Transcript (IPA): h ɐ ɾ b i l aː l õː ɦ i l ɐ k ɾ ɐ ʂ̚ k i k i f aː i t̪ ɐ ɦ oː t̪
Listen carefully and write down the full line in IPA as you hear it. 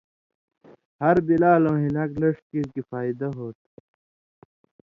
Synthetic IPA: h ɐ ɾ b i l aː l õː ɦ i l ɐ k l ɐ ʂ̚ k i k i f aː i d̪ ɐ ɦ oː t̪